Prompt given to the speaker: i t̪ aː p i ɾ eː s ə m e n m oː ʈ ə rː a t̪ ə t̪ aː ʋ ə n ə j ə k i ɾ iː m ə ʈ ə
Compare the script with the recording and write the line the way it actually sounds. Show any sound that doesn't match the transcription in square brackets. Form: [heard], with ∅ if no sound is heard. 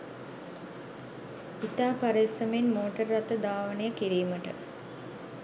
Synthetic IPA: i t̪ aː p [a] ɾ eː s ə m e n m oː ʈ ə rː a t̪ ə [d̪] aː ʋ ə n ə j ə k i ɾ iː m ə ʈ ə

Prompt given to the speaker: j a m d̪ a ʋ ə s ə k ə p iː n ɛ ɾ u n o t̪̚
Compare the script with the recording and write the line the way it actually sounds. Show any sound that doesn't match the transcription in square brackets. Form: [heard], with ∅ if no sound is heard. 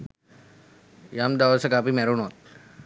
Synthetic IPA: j a m d̪ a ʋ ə s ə k [a] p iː [m] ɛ ɾ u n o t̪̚

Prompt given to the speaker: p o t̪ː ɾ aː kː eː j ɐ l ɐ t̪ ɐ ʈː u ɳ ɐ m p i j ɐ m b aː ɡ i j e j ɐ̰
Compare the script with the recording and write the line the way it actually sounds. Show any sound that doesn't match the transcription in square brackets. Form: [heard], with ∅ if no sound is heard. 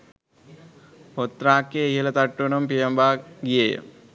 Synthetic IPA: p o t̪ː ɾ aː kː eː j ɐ l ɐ t̪ ɐ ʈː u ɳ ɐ m p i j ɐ m b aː ɡ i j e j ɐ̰

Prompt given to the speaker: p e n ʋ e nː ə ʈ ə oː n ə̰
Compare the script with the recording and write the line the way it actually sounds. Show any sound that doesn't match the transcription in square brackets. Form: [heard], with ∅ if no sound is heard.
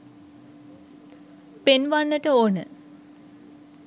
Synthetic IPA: p e n ʋ [a] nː ə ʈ ə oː n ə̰

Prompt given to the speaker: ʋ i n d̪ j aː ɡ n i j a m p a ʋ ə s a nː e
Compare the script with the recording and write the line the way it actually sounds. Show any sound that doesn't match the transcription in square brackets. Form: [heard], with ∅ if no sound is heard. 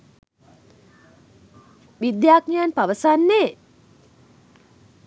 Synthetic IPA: ʋ i [∅] d̪ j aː [k] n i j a [n] p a ʋ ə s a nː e

